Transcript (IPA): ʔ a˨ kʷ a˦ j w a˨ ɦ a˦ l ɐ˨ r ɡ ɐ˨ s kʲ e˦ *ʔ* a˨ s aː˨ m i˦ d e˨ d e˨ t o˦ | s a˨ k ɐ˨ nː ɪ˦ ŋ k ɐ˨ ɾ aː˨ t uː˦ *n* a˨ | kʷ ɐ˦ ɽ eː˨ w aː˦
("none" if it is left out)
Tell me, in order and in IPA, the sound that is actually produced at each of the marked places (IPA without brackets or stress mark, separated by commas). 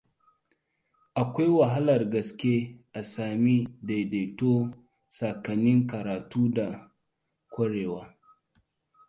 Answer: ʔ, d